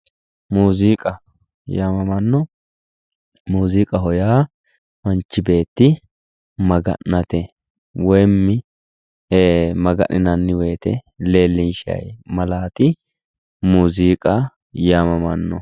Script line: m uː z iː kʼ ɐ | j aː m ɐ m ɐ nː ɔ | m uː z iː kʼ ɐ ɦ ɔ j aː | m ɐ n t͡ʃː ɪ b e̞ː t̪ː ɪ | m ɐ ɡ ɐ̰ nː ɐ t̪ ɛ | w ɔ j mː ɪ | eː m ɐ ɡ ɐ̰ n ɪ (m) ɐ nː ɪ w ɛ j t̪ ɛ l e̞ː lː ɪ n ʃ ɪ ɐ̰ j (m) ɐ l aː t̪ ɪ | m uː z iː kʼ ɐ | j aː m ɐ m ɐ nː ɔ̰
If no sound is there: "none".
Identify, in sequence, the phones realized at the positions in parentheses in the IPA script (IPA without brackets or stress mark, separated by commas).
n, m